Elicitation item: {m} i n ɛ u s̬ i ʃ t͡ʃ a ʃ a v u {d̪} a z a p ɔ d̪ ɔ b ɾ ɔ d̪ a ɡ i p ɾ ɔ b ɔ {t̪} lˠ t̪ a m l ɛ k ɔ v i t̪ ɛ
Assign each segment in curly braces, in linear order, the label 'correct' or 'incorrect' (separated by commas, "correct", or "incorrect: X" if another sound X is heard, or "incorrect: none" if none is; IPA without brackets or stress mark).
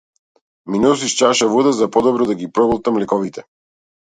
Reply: correct, correct, incorrect: none